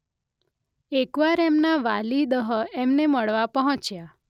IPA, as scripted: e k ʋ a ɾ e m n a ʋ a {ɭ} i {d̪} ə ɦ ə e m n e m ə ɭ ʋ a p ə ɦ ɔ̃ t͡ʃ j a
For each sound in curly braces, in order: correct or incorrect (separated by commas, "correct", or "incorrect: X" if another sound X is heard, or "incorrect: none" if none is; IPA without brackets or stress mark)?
incorrect: l, correct